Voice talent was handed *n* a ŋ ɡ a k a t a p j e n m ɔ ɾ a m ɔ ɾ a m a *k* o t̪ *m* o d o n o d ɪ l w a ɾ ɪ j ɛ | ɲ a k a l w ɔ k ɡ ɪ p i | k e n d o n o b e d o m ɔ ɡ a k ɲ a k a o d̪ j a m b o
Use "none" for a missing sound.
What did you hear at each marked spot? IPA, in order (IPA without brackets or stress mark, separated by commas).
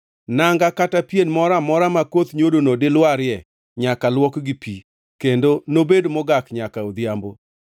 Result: n, k, ɲ